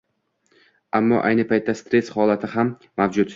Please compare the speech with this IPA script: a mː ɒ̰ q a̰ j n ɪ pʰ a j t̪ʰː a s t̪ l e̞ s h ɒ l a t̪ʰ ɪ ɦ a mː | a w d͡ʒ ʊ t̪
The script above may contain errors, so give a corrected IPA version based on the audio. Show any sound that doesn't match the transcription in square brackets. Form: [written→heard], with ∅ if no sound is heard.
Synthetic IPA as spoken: a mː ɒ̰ [q→ʔ] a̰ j n ɪ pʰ a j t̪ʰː a s t̪ [l→ɾ] e̞ s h ɒ l a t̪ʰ ɪ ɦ a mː | a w d͡ʒ ʊ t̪